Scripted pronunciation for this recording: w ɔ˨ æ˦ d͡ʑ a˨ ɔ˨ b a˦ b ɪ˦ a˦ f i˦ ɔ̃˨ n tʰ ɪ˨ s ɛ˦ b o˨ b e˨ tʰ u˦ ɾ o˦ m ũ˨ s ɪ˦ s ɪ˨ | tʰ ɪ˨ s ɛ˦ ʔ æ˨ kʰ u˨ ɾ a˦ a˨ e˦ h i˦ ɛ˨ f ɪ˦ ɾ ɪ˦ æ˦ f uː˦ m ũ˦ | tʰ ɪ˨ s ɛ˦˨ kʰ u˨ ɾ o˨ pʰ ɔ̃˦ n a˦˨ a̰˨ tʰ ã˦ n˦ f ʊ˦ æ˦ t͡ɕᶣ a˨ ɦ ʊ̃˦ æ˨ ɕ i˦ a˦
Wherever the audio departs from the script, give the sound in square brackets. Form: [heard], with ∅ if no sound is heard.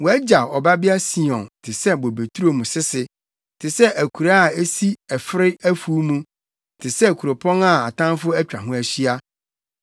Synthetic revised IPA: w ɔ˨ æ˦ d͡ʑ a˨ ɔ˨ b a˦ b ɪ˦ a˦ [s] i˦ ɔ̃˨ n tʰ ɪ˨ s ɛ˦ b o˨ b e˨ tʰ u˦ ɾ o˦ m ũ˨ s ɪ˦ s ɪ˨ | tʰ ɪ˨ s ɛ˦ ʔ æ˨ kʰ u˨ ɾ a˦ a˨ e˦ [s] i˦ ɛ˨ f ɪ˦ ɾ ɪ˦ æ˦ f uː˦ m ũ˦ | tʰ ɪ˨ s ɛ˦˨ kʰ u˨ ɾ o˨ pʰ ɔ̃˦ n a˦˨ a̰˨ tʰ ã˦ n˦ f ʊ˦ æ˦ t͡ɕᶣ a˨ ɦ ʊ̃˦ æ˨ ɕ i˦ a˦